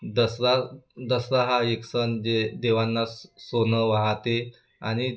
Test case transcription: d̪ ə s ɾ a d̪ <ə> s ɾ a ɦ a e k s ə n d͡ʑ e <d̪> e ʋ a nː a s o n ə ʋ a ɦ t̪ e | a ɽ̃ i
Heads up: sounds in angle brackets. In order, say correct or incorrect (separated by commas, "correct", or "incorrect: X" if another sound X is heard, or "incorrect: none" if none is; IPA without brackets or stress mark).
correct, correct